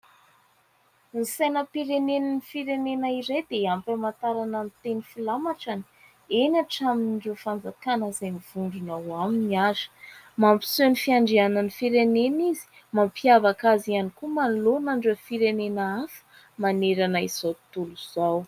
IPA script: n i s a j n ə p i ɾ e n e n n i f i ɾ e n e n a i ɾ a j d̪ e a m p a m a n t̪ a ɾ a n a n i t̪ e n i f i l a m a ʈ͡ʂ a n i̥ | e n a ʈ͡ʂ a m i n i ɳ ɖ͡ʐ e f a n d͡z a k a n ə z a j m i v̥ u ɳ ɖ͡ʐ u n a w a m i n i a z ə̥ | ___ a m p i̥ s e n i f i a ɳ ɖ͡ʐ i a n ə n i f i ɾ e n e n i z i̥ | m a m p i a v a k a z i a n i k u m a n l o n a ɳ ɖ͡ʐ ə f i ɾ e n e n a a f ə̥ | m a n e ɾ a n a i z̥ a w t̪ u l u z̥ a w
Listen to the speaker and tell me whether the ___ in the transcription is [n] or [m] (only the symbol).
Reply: m